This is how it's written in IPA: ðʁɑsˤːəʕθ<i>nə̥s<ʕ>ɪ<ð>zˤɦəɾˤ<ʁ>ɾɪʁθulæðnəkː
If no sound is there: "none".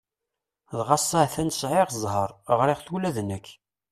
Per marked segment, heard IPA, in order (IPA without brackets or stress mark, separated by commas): æ, ʕ, ʁ, ʁ